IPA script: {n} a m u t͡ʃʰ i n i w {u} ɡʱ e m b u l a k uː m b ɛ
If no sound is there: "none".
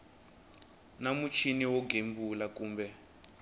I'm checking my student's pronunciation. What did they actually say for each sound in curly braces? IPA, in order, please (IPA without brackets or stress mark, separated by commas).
n, ɔ